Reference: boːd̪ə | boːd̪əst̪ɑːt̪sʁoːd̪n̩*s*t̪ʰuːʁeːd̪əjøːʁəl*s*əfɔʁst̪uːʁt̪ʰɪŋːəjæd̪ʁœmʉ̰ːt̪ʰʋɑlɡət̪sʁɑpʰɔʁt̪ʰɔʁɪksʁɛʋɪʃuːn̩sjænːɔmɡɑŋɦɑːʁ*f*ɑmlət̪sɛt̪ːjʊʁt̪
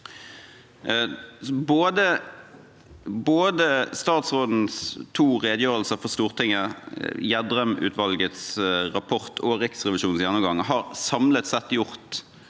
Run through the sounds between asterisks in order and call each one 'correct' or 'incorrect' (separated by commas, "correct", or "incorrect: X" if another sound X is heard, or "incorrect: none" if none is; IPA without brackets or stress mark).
correct, correct, incorrect: s